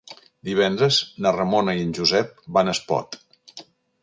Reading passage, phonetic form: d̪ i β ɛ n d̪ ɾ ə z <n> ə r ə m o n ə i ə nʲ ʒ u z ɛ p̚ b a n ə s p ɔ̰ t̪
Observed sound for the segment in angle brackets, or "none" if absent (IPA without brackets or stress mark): n